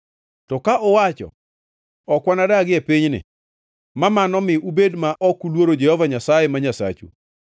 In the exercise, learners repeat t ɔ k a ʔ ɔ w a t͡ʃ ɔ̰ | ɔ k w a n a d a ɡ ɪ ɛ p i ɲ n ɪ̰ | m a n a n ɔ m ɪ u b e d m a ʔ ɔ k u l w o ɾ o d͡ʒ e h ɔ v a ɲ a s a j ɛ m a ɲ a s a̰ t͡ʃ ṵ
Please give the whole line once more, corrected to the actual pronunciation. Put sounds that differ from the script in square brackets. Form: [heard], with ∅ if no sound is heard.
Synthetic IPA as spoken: t ɔ k a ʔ ɔ w a t͡ʃ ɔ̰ | ɔ k w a n a d a ɡ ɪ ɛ p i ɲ n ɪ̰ | m a [m] a n ɔ m ɪ u b e d m a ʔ ɔ k u l w o ɾ o d͡ʒ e h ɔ v a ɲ a s a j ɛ m a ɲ a s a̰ t͡ʃ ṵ